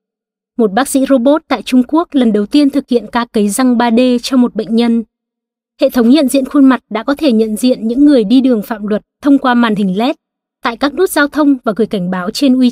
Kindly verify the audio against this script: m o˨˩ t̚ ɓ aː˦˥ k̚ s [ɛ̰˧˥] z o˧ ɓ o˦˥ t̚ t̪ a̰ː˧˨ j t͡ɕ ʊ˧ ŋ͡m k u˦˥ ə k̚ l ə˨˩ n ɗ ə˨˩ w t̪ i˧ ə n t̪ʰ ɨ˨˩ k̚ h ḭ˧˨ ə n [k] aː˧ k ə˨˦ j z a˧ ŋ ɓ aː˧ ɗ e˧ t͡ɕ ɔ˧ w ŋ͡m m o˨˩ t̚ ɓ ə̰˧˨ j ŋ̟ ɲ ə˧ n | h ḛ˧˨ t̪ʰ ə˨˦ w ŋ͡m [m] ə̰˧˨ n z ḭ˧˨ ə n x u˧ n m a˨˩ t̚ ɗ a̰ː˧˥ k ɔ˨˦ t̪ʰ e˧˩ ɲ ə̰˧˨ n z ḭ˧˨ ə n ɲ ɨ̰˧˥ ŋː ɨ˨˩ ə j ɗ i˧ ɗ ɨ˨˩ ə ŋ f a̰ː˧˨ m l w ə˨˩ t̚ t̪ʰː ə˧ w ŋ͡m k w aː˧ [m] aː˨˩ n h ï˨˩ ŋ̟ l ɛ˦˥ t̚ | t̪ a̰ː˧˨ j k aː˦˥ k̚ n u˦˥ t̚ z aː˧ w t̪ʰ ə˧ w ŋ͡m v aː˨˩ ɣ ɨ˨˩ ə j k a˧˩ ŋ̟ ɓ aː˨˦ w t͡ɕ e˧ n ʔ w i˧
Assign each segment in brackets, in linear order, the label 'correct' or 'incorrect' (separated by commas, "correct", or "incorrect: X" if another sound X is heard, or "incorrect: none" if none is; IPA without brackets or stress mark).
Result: incorrect: ḭ˧˥, correct, incorrect: ɲ, correct